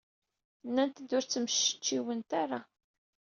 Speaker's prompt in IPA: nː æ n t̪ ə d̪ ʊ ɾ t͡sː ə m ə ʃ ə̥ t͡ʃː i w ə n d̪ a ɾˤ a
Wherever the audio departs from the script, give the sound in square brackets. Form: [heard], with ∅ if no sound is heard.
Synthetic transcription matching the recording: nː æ n t̪ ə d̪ ʊ ɾ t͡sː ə m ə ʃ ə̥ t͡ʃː i w ə n [t̪] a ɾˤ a